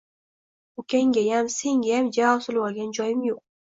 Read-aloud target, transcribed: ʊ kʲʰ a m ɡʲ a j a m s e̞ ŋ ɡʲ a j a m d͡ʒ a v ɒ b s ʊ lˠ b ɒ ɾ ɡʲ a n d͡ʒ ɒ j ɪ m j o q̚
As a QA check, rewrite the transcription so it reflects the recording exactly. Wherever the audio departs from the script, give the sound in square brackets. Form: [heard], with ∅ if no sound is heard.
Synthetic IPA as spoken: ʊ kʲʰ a [ŋ] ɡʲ a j a m s e̞ ŋ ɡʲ a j a m d͡ʒ a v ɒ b s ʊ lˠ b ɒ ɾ ɡʲ a n d͡ʒ ɒ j ɪ m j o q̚

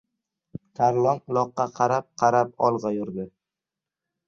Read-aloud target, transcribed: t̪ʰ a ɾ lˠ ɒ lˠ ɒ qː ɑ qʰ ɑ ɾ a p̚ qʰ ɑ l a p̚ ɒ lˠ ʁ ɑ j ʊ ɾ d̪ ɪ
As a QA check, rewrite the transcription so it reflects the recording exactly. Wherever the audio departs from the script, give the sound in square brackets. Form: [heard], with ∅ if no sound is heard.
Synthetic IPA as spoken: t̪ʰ a ɾ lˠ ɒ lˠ ɒ qː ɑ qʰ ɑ ɾ a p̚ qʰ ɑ [ɾ] a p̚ ɒ lˠ ʁ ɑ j ʊ ɾ d̪ ɪ

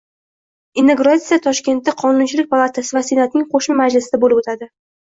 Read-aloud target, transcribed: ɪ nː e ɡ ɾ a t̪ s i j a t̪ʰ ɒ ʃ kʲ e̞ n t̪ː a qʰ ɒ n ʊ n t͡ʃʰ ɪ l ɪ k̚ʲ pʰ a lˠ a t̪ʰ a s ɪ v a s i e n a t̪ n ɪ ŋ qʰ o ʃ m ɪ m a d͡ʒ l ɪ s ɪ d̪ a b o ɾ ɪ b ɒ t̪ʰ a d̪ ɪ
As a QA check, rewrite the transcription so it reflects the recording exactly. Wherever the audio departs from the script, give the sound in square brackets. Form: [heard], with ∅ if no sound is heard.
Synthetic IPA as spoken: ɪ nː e ɡ ɾ a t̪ s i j a t̪ʰ ɒ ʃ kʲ e̞ n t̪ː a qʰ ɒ n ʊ n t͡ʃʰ ɪ l ɪ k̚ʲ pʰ a lˠ a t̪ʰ a s ɪ v a s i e n a t̪ n ɪ ŋ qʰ o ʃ m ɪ m a d͡ʒ l ɪ s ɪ d̪ a b o [l] ɪ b [o] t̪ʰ a d̪ ɪ

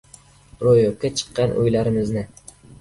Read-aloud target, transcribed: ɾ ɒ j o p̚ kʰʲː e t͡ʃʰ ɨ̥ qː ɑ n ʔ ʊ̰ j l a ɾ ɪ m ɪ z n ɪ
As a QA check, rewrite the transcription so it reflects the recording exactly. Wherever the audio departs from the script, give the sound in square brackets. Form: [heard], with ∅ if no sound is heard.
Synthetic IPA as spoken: ɾ [o] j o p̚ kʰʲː [a] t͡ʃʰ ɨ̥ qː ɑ n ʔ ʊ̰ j l a ɾ ɪ m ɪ z n ɪ

